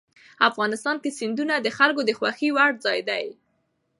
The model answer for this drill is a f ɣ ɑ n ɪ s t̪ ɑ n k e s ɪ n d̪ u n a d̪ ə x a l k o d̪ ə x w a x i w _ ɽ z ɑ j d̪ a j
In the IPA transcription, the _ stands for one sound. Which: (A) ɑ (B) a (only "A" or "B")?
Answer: B